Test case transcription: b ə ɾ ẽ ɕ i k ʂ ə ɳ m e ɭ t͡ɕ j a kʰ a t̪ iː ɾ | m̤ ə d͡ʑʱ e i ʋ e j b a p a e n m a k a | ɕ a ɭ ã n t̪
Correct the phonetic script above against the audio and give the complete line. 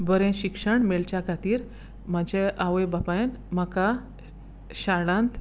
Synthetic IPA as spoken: b ə ɾ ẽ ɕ i k ʂ ə ɳ m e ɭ t͡ɕ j a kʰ a t̪ iː ɾ | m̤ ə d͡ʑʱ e a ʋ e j b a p a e n m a k a | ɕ a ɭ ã n t̪